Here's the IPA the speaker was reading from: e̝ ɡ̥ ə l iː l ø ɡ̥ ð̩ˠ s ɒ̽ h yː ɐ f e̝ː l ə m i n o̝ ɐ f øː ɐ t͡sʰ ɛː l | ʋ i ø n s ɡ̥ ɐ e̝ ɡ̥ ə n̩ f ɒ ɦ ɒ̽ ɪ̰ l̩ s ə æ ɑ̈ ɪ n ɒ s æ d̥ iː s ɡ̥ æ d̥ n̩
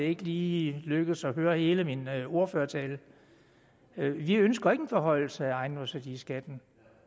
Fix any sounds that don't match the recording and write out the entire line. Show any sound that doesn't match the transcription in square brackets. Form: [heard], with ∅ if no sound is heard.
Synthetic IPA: e̝ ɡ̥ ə l iː l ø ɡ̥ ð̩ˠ s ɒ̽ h [øː] ɐ [h] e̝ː l ə m i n o̝ ɐ f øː ɐ t͡sʰ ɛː l | ʋ i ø n s ɡ̥ ɐ e̝ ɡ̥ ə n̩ f ɒ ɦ ɒ̽ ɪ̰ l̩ s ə æ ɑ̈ ɪ n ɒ s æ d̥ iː s ɡ̥ æ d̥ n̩